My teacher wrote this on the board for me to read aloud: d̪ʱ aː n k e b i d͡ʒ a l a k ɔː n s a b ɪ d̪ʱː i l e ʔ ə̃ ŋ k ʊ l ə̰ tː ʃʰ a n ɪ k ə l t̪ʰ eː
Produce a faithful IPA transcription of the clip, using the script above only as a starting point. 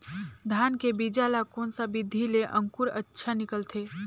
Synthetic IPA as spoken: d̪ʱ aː n k e b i d͡ʒ a l a k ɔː n s a b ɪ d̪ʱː i l e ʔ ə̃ ŋ k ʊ ɾ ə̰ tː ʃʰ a n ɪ k ə l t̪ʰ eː